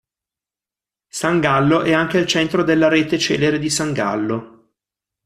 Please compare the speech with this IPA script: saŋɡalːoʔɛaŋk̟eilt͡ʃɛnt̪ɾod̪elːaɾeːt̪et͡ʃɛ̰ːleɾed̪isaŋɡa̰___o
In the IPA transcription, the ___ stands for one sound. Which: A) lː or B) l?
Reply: A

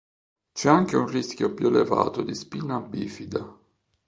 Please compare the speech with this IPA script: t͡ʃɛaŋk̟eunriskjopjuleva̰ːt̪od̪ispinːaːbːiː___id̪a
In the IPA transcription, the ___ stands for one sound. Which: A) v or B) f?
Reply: B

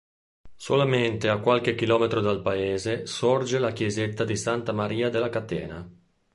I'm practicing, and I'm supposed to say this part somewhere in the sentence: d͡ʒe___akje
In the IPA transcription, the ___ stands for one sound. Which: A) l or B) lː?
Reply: A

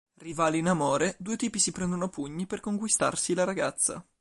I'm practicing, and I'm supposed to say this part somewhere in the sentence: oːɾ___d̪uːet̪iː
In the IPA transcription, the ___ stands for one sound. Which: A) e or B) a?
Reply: A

